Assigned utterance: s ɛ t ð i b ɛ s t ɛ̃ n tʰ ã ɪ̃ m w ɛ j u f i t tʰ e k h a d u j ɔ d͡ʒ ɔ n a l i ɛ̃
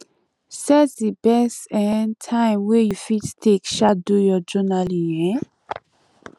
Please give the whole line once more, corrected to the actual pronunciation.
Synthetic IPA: s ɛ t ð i b ɛ s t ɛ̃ n tʰ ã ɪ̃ m w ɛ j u f i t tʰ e k ʃ a d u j ɔ d͡ʒ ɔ n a l i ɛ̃